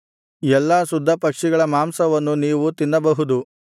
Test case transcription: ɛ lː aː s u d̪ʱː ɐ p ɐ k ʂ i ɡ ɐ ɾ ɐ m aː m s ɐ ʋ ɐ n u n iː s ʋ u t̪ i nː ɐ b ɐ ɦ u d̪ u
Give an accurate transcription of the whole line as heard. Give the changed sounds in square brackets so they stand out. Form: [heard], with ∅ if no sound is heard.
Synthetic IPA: ɛ lː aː s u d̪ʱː ɐ p ɐ k ʂ i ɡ ɐ [ɭ] ɐ m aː m s ɐ ʋ ɐ [nː] u n iː [∅] ʋ u t̪ i nː ɐ b ɐ ɦ u d̪ u